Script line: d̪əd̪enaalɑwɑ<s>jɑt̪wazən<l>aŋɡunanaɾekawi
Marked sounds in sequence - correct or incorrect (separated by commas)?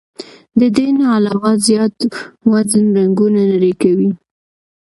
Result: incorrect, incorrect